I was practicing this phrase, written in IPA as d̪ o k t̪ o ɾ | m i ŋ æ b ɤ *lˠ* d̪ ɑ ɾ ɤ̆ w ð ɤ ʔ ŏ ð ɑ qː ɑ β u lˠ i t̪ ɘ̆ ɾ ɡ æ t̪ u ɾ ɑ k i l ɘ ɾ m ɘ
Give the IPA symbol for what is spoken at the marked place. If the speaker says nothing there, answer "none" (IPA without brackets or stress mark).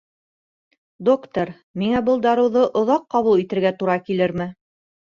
lˠ